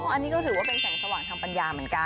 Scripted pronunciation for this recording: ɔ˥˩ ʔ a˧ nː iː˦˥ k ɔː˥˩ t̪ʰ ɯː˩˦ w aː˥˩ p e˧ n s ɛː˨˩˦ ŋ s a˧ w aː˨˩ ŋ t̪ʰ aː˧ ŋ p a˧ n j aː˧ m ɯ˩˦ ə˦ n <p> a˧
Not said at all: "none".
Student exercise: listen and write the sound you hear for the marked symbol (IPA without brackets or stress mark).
k